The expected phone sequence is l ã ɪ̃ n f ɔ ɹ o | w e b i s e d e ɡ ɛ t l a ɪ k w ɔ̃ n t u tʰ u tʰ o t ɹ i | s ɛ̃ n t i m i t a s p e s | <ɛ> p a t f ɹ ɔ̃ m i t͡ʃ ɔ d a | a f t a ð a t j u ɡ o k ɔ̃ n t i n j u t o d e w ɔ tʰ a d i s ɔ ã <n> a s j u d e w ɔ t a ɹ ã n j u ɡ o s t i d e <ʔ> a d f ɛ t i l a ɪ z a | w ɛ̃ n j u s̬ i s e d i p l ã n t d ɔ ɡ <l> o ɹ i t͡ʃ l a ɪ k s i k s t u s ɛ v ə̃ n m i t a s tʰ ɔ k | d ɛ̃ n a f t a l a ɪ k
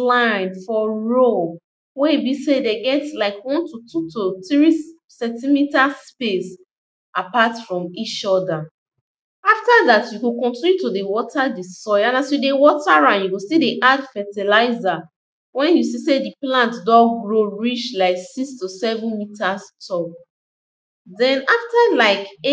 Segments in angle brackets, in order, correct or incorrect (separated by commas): incorrect, correct, correct, incorrect